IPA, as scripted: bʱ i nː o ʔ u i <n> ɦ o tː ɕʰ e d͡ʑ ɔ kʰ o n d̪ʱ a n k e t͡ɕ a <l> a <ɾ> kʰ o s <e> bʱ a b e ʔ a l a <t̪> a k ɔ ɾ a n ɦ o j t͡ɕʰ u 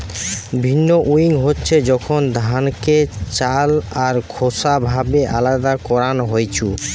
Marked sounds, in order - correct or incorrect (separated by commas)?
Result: incorrect, correct, correct, incorrect, incorrect